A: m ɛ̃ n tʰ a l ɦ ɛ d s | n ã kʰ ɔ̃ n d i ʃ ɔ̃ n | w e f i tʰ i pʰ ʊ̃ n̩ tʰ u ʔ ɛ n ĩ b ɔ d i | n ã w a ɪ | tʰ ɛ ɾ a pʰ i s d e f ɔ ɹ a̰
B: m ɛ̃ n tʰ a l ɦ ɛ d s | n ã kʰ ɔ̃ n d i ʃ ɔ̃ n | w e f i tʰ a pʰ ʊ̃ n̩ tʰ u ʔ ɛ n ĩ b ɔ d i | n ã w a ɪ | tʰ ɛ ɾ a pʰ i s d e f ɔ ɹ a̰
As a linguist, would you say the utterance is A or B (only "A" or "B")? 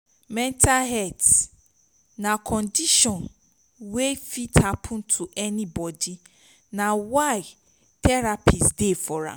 B